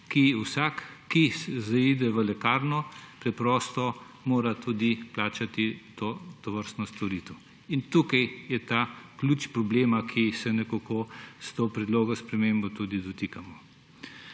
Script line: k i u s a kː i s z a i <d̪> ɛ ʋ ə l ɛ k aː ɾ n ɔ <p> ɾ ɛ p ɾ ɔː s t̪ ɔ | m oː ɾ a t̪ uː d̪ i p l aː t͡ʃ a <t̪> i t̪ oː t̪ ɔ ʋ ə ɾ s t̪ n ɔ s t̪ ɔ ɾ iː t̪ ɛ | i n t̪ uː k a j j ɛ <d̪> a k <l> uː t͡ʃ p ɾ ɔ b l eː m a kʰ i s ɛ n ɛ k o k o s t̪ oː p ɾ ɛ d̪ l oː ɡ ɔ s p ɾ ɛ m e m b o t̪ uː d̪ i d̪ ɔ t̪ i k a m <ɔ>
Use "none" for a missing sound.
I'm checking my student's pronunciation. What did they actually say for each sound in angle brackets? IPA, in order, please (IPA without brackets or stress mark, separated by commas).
d̪, p, t̪, t̪, l, ɔ